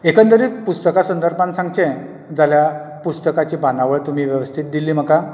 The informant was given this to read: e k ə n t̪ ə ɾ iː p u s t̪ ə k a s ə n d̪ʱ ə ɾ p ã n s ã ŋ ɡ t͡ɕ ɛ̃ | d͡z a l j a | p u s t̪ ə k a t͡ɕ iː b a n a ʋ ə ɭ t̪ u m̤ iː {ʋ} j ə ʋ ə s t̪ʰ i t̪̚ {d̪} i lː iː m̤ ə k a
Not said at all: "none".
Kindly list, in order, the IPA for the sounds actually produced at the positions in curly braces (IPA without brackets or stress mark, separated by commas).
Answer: ʋ, d̪